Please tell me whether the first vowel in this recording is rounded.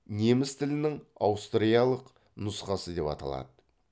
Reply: no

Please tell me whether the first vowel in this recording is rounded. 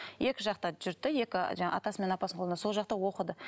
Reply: no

